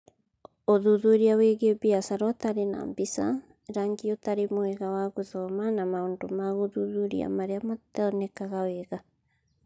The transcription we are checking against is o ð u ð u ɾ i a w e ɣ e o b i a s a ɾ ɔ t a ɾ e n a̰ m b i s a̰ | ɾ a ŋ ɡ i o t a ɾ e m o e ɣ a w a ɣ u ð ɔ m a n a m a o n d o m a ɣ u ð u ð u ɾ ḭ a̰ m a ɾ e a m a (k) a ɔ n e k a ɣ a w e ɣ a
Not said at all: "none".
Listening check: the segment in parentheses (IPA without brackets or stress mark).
t